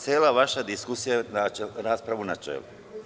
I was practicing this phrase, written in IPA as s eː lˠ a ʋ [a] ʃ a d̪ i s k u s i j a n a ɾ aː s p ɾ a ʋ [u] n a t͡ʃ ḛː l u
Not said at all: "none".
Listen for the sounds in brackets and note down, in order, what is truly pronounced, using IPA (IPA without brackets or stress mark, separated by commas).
a, u